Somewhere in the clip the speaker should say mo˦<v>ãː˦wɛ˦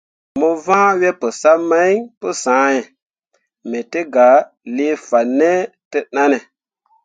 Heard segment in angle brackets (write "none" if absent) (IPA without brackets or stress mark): v